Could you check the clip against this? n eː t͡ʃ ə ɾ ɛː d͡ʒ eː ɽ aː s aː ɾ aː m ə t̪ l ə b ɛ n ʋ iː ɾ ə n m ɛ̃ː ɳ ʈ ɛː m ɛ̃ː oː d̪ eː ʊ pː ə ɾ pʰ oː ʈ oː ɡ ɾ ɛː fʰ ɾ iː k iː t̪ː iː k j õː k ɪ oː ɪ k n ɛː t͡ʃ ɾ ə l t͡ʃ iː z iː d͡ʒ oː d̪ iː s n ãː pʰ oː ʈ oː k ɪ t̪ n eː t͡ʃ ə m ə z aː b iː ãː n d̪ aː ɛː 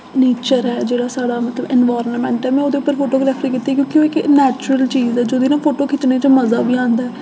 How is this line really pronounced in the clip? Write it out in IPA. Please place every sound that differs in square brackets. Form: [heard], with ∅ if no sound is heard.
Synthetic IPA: n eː t͡ʃ ə ɾ ɛː d͡ʒ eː ɽ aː s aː [ɽ] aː m ə t̪ l ə b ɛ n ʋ [aː] ɾ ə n m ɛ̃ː ɳ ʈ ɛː m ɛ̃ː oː d̪ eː ʊ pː ə ɾ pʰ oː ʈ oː ɡ ɾ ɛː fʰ ɾ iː k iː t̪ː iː k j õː k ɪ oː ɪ k n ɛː t͡ʃ ɾ ə l t͡ʃ iː z [ɛː] d͡ʒ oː d̪ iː [∅] n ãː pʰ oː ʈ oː k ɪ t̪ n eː t͡ʃ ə m ə z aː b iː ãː n d̪ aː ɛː